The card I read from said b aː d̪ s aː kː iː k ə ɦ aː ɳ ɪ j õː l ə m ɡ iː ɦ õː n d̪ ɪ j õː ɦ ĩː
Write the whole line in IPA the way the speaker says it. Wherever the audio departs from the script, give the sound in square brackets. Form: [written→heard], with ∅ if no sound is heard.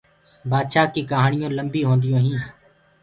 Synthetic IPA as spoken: b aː d̪ [s→ʃ] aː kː iː k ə ɦ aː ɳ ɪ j õː l ə m [ɡ→b] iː ɦ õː n d̪ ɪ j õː ɦ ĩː

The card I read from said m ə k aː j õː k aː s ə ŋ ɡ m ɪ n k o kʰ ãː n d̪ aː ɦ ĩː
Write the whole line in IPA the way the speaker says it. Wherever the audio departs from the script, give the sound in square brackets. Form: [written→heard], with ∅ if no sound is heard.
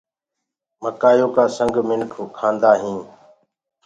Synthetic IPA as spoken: m ə k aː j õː k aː s ə ŋ ɡ m ɪ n [k→kʰ] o kʰ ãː n d̪ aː ɦ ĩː

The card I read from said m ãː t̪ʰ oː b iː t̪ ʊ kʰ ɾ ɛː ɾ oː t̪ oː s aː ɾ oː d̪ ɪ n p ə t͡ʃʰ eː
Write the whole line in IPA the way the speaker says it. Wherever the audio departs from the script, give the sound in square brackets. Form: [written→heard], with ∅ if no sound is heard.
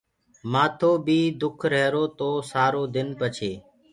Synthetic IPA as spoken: m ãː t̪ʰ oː b iː [t̪→d̪] ʊ kʰ ɾ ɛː ɾ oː t̪ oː s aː ɾ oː d̪ ɪ n p ə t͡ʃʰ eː

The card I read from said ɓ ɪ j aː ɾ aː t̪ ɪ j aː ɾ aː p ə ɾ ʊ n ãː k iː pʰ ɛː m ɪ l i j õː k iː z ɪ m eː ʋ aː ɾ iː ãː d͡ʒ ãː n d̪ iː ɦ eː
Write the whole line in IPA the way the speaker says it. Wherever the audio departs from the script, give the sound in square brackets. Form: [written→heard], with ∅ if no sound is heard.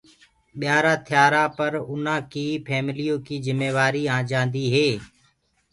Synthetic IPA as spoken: ɓ ɪ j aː ɾ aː [t̪→t̪ʰ] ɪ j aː ɾ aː p ə ɾ ʊ n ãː k iː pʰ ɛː m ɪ l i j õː k iː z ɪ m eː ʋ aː ɾ iː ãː d͡ʒ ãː n d̪ iː ɦ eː

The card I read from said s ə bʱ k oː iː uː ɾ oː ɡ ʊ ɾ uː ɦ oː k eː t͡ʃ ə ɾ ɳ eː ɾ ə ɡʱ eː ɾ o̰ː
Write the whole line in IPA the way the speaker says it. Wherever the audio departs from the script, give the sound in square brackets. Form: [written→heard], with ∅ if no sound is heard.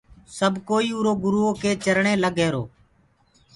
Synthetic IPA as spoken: s ə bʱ k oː iː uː ɾ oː ɡ ʊ ɾ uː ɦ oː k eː t͡ʃ ə ɾ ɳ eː [ɾ→l] ə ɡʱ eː ɾ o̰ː

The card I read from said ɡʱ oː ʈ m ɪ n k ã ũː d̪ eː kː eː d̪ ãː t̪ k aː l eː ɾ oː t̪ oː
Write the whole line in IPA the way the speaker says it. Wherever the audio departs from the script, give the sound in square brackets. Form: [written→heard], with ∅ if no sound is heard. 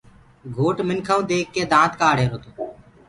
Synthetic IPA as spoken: ɡʱ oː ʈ m ɪ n [k→kʰ] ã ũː d̪ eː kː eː d̪ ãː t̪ k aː [l→ɽ] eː ɾ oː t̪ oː

